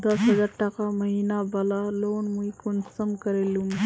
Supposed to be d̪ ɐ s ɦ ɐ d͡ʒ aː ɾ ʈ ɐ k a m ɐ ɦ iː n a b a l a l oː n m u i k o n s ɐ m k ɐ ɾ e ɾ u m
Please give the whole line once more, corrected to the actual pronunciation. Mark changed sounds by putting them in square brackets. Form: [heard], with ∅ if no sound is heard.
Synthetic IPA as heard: d̪ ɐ s ɦ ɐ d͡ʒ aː ɾ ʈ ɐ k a m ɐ ɦ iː n a b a l a l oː n m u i k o n s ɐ m k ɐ ɾ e [l] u m

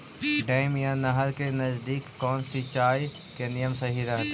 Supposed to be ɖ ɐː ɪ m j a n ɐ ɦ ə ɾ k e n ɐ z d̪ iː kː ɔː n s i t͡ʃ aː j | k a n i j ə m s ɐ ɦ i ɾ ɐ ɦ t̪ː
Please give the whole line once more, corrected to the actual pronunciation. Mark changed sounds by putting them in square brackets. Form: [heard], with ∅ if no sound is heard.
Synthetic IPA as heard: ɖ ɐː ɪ m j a n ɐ ɦ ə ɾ k e n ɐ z d̪ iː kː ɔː n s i t͡ʃ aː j | k [e] n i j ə m s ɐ ɦ i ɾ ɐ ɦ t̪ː

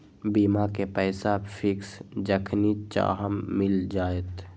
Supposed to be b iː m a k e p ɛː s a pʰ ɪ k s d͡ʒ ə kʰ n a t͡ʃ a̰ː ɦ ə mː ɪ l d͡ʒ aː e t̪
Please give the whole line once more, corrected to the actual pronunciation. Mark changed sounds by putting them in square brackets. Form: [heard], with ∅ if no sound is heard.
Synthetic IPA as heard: b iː m a k e p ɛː s a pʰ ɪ k s d͡ʒ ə kʰ n [i] t͡ʃ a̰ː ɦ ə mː ɪ l d͡ʒ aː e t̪

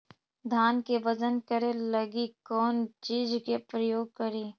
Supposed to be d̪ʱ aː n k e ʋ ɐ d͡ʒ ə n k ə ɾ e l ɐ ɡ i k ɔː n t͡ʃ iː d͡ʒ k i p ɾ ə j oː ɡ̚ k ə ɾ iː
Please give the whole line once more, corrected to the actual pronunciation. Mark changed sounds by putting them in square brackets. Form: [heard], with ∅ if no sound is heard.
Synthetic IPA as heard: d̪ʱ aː n k e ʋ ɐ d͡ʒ ə n k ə ɾ e l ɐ ɡ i k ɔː n t͡ʃ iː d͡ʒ k [e] p ɾ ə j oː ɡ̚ k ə ɾ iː

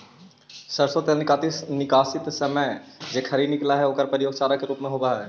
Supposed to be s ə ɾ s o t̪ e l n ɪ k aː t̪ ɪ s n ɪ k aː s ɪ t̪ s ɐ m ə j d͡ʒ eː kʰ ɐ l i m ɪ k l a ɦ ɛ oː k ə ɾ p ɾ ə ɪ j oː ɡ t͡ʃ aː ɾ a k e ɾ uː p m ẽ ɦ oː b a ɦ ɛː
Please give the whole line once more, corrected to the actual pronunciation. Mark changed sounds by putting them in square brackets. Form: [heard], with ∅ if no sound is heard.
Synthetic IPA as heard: s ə ɾ s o t̪ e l n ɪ k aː t̪ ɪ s n ɪ k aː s ɪ t̪ s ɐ m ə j d͡ʒ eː kʰ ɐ [ɾ] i [n] ɪ k l a ɦ ɛ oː k ə ɾ p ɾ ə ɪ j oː ɡ t͡ʃ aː ɾ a k e ɾ uː p m ẽ ɦ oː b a ɦ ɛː

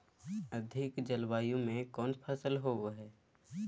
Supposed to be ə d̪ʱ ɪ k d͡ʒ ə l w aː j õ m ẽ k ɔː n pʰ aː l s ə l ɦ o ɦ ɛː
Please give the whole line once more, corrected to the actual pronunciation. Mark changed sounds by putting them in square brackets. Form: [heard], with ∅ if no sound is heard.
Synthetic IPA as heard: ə d̪ʱ ɪ k d͡ʒ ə l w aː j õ m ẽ k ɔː n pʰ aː [∅] s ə l ɦ o ɦ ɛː

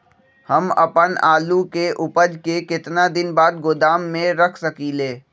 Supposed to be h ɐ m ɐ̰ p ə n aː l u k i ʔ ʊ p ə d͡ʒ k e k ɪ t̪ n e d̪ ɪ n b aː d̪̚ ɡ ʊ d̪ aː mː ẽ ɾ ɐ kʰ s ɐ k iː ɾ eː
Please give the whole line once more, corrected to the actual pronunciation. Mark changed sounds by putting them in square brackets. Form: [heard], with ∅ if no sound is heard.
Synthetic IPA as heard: h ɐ m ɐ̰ p ə n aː l u k [e] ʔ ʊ p ə d͡ʒ k e k ɪ t̪ n [a] d̪ ɪ n b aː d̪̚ ɡ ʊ d̪ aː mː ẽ ɾ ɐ kʰ s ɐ k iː [l] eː

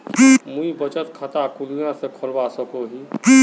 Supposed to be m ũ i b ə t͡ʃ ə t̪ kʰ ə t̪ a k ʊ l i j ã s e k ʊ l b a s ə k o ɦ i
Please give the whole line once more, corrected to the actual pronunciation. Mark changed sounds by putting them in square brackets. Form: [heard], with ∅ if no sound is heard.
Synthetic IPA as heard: m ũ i b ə t͡ʃ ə t̪ kʰ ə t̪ a k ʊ l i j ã s e [kʰ] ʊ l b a s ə k o ɦ i

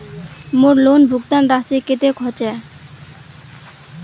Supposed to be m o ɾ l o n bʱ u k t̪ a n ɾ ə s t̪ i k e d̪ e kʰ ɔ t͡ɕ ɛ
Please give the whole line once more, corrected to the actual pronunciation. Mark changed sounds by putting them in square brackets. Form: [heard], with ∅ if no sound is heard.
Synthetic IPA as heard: m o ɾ l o n bʱ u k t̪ a n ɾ [a] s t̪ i k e [t̪] e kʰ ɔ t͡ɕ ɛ

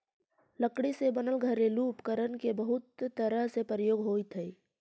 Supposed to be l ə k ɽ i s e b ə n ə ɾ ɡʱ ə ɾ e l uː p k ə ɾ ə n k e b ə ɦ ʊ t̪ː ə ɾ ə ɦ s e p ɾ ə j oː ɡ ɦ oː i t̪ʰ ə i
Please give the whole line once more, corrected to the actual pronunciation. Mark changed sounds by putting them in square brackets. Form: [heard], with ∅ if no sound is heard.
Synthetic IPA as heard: l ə k ɽ i s e b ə n ə [l] ɡʱ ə ɾ e l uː p k ə ɾ ə n k e b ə ɦ ʊ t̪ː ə ɾ ə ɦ s e p ɾ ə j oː ɡ ɦ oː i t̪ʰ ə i

